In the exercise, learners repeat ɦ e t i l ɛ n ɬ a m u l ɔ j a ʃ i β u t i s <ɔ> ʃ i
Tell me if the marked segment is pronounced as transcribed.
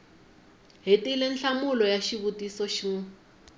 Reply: yes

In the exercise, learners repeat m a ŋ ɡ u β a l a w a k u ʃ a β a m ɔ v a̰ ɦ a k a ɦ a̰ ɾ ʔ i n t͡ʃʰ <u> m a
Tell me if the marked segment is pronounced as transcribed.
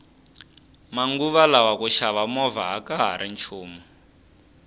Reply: no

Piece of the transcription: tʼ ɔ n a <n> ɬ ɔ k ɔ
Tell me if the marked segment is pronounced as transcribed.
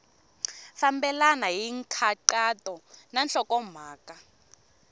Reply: yes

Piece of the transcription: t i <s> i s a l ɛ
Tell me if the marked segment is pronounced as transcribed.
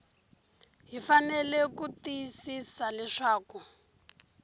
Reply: yes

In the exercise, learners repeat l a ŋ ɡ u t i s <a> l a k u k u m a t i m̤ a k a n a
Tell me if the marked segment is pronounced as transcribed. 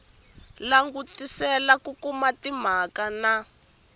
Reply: no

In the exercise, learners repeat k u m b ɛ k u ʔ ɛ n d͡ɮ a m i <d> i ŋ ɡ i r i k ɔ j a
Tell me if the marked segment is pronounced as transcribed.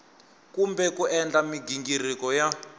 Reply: no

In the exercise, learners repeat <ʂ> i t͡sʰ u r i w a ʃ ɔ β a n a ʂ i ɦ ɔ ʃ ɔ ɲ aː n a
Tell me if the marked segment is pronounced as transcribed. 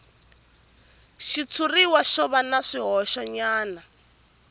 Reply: no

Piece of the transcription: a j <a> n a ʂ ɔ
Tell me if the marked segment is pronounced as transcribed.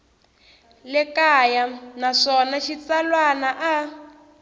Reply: yes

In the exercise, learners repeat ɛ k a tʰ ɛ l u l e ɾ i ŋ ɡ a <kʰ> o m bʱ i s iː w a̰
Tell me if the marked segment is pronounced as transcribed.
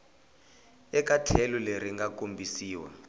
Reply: no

